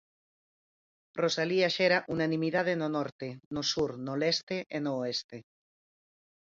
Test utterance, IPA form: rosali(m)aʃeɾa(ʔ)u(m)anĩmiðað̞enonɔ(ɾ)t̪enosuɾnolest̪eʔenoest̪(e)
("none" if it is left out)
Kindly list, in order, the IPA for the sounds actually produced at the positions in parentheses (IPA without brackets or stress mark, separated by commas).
none, ʔ, n, ɾ, e